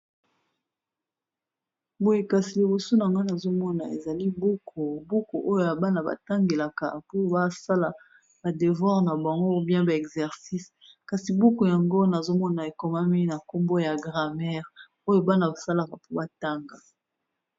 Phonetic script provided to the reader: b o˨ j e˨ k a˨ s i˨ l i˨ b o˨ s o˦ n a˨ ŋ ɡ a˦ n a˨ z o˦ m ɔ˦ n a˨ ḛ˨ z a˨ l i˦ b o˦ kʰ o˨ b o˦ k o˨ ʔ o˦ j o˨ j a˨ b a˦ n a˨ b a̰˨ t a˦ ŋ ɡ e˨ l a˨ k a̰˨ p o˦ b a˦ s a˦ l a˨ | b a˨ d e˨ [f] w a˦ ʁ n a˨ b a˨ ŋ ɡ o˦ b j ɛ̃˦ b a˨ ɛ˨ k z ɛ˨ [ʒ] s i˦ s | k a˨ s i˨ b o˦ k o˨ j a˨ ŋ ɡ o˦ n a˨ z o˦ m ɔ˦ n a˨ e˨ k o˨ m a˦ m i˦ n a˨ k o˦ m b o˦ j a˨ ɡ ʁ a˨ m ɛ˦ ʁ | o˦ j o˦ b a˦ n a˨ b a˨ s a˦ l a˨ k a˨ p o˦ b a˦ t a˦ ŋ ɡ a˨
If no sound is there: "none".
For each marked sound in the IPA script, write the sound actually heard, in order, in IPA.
v, ʁ

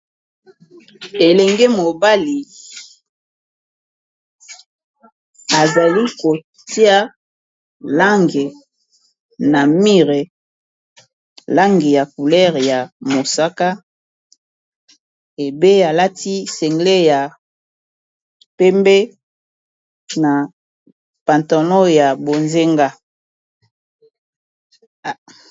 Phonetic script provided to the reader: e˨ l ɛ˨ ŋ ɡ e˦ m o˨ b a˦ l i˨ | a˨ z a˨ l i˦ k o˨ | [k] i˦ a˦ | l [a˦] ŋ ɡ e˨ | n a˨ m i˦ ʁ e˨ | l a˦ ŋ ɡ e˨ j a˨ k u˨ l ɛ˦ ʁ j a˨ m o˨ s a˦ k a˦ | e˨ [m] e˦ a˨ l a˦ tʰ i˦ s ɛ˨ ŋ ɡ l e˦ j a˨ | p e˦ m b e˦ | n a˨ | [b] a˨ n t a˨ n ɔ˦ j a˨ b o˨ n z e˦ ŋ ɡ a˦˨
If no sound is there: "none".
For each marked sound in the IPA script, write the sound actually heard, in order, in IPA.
t, a˦, b, p

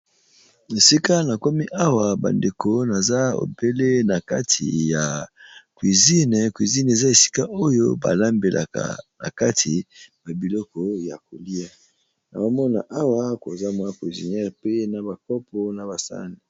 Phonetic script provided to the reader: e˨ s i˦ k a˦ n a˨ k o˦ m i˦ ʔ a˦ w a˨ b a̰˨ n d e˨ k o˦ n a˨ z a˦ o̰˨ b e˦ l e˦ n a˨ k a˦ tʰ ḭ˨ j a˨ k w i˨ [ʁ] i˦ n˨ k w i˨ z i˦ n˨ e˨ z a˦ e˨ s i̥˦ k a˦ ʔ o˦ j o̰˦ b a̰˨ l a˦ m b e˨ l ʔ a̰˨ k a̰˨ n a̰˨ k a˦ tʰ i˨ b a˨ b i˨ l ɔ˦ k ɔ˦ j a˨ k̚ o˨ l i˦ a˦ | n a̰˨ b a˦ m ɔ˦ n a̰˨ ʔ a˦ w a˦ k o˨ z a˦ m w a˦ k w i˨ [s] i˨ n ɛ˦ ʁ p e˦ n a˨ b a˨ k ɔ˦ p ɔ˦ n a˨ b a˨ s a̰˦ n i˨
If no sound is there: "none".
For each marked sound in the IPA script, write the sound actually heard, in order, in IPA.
z, z

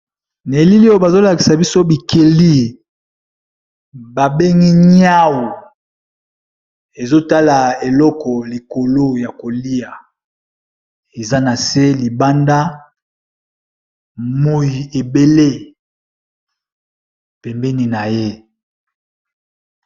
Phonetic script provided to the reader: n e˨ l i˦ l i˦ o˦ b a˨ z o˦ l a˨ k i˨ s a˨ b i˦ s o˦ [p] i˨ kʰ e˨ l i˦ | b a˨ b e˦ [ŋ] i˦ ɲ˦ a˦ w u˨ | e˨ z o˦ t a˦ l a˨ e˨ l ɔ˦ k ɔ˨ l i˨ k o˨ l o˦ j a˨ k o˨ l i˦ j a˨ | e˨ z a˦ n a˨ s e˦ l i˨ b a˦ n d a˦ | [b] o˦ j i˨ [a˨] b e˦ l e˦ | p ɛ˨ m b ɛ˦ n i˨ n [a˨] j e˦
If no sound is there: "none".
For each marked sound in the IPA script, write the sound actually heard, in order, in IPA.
b, ŋ, m, e˨, a˨

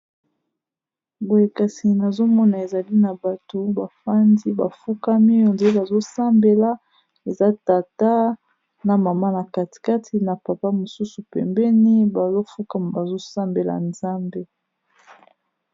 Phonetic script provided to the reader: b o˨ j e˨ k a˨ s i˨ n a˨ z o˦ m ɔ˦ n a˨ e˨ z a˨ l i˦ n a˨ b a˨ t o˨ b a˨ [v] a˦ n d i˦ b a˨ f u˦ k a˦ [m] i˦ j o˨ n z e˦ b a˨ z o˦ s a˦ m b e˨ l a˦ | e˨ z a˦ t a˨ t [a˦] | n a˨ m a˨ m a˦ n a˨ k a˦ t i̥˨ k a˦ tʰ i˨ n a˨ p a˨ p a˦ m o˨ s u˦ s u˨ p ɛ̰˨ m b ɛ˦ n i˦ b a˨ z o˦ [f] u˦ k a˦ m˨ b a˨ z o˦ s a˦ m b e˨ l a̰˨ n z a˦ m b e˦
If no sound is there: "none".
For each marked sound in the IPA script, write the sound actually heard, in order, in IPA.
f, m, a˦, f

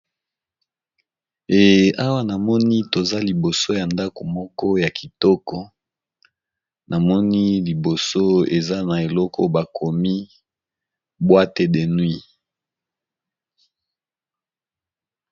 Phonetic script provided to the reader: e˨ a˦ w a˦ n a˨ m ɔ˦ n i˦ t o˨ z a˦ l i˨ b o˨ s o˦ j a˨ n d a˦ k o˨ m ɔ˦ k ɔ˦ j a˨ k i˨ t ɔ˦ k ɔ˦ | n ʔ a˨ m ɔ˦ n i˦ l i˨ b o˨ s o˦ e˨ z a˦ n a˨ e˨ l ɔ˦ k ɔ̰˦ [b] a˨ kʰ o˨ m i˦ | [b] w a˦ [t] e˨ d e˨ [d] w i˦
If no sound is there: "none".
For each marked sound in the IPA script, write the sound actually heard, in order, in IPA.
b, b, t, n

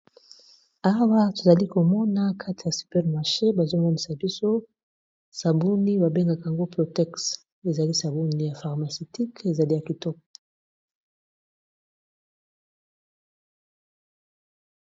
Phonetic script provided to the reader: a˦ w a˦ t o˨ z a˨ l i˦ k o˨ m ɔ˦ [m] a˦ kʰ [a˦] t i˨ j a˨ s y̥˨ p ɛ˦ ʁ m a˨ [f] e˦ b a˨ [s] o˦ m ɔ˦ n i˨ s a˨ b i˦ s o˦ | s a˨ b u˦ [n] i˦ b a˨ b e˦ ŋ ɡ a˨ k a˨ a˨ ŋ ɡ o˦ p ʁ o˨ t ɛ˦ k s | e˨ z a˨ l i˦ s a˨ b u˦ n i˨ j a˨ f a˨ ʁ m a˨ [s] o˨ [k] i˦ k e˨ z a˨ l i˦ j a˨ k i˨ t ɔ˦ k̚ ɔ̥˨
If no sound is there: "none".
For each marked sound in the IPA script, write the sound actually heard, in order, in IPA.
n, a˦, ʃ, z, n, s, t

